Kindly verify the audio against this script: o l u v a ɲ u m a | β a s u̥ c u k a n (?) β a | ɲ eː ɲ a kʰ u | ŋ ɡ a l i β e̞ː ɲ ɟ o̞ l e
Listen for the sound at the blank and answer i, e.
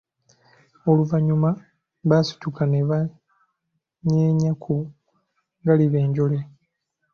e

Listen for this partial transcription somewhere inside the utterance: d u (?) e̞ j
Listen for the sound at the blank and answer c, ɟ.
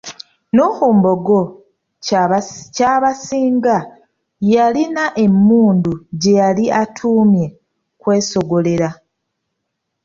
ɟ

